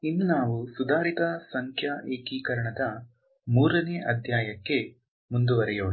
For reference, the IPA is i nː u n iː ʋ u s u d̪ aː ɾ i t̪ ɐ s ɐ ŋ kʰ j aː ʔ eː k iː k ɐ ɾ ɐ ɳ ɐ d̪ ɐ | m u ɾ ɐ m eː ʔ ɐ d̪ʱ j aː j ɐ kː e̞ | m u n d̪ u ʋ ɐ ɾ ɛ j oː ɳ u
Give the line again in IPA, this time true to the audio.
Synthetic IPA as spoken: i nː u n aː ʋ u s u d̪ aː ɾ i t̪ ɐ s ɐ ŋ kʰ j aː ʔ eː k iː k ɐ ɾ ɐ ɳ ɐ d̪ ɐ | m uː ɾ ɐ n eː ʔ ɐ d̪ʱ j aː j ɐ kː e̞ | m u n d̪ u ʋ ɐ ɾ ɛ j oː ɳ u